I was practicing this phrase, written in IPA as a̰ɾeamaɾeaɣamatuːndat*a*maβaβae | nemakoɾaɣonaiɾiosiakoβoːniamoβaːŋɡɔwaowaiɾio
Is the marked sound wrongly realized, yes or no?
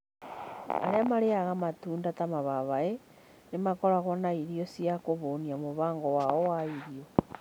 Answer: no